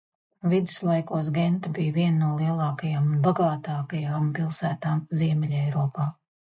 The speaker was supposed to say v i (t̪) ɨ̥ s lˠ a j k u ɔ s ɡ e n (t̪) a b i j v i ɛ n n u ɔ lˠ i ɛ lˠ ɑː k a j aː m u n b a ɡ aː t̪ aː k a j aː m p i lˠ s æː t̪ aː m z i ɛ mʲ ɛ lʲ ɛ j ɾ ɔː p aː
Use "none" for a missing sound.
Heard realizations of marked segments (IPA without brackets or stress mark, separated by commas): d̪, t̪